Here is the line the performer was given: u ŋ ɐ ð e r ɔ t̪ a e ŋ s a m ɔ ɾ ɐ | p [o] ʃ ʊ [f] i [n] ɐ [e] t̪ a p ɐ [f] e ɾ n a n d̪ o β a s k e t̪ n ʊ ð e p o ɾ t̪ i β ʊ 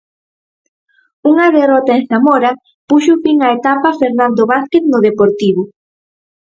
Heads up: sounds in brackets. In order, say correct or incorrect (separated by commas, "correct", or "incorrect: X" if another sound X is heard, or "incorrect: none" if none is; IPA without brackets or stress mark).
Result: incorrect: u, correct, incorrect: ŋ, correct, correct